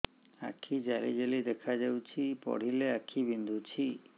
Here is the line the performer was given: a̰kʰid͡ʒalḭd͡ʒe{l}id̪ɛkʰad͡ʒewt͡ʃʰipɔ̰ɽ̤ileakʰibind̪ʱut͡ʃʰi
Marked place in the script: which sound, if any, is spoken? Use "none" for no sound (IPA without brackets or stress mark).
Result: l